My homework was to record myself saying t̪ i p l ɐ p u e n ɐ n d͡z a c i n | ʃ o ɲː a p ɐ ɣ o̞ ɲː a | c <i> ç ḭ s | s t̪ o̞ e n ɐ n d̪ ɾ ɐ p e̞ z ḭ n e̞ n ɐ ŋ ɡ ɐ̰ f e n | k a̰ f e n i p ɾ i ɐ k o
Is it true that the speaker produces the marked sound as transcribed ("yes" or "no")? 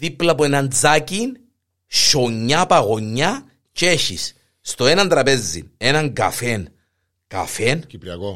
no